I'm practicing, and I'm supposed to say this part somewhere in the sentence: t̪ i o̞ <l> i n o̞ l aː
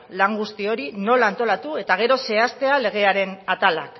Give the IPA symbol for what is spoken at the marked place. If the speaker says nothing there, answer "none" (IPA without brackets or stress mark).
ɾ